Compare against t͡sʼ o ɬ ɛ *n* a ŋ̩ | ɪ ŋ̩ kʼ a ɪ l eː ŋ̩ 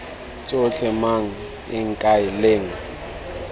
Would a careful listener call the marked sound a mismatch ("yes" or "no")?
yes